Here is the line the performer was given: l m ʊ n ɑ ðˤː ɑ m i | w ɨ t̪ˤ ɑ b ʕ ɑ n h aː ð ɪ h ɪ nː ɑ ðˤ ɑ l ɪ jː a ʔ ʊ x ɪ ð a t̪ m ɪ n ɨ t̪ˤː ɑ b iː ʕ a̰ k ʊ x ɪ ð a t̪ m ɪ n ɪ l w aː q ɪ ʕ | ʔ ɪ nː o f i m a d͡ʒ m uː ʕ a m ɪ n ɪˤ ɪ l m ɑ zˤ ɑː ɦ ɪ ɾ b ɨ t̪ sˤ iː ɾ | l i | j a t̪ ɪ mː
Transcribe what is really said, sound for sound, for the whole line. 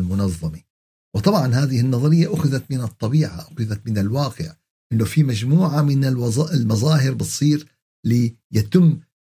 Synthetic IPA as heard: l m ʊ n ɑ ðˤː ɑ m i | w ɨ t̪ˤ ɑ b ʕ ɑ n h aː ð ɪ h ɪ nː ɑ ðˤ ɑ ɾ ɪ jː a ʔ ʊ x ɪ ð a t̪ m ɪ n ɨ t̪ˤː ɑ b iː ʕ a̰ ʔ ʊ x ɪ ð a t̪ m ɪ n ɪ l w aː q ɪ ʕ | ʔ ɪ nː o f i m a d͡ʒ m uː ʕ a m ɪ n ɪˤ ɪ l m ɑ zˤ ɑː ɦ ɪ ɾ b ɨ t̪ sˤ iː ɾ | l i | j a t̪ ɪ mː